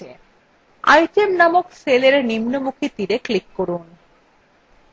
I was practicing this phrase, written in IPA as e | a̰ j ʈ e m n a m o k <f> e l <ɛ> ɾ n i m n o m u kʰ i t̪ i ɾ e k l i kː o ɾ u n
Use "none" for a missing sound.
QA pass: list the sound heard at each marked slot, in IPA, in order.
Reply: s, e

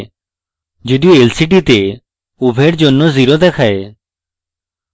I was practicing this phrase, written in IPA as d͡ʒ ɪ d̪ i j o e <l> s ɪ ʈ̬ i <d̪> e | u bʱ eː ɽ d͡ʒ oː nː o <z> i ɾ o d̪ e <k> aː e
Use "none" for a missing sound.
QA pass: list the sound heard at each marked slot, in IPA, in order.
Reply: l, t̪, z, kʰ

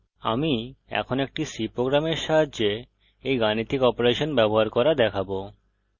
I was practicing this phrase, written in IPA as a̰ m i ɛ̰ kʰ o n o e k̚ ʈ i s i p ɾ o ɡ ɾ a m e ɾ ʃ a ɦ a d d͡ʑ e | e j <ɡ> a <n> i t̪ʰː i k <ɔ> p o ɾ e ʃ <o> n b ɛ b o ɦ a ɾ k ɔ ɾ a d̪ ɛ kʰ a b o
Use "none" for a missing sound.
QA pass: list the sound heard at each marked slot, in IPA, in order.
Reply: ɡ, n, ɔ, o

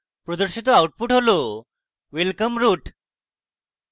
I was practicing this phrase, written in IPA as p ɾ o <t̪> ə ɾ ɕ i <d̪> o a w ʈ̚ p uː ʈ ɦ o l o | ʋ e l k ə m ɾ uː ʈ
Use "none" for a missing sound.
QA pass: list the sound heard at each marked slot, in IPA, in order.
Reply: d̪, t̪

